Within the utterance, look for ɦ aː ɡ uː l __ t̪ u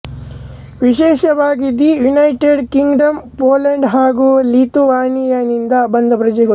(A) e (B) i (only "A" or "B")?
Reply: B